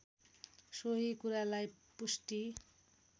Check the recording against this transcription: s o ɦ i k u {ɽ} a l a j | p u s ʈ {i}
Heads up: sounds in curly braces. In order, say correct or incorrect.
incorrect, correct

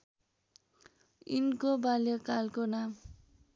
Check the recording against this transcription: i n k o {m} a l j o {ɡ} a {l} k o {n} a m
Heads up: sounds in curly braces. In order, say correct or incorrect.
incorrect, incorrect, correct, correct

